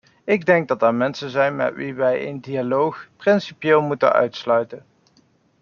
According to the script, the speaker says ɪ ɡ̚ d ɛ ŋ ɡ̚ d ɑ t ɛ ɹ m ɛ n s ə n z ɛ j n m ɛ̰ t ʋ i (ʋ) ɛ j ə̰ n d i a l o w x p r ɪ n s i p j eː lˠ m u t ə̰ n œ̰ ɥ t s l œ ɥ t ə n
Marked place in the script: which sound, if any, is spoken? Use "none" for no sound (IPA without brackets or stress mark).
ʋ